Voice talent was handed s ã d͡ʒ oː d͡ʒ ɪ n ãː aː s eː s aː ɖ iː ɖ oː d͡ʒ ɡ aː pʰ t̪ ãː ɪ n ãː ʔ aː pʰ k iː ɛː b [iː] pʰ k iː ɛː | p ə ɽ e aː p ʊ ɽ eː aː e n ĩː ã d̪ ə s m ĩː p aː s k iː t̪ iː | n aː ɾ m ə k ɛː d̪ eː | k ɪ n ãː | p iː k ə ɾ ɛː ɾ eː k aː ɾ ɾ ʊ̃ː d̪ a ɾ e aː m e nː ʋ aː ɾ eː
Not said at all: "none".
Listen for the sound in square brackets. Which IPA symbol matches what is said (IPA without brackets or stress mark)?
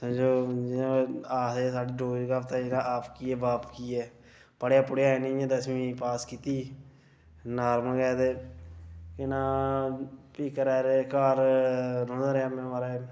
aː